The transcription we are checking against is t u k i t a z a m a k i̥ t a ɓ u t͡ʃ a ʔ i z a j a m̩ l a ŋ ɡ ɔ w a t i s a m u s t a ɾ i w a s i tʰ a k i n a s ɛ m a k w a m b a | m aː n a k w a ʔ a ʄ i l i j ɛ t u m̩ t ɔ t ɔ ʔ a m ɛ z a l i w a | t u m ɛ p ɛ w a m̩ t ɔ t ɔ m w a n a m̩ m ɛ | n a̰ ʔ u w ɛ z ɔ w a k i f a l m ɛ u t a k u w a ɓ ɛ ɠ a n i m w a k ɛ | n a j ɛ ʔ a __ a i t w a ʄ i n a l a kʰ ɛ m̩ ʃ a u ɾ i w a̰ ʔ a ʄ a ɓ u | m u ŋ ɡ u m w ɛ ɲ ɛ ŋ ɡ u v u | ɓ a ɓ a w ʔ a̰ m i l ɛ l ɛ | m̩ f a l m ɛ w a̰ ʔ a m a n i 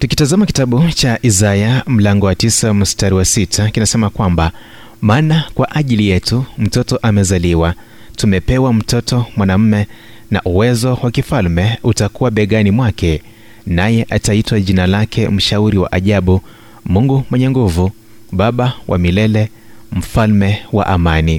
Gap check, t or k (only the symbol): t